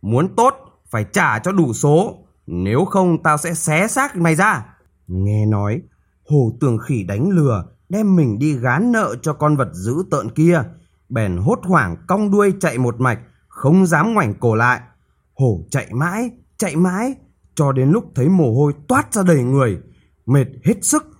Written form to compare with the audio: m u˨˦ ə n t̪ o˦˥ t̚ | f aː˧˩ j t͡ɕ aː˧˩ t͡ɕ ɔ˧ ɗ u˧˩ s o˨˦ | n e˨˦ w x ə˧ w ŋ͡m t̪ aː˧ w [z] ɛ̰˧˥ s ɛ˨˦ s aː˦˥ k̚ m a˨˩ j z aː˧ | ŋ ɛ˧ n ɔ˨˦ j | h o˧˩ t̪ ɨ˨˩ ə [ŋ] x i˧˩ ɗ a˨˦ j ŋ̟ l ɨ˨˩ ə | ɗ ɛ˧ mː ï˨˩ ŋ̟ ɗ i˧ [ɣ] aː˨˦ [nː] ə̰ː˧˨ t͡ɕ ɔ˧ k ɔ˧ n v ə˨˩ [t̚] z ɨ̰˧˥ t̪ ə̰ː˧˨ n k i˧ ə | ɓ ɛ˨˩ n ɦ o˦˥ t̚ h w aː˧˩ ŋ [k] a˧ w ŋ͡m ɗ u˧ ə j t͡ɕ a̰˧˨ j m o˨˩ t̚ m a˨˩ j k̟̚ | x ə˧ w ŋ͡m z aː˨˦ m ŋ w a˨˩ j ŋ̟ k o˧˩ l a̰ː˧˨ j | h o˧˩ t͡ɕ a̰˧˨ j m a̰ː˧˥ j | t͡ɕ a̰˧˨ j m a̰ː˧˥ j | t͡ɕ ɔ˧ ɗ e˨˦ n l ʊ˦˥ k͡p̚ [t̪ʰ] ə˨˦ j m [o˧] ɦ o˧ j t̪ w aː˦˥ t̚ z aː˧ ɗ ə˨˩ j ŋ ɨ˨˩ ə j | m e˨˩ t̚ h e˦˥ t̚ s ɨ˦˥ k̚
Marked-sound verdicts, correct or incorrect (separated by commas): incorrect, correct, correct, correct, correct, correct, correct, incorrect